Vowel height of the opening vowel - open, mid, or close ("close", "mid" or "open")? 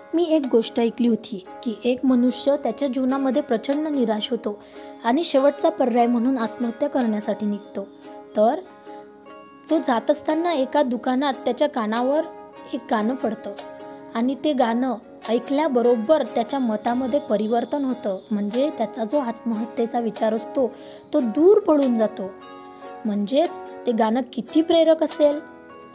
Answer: close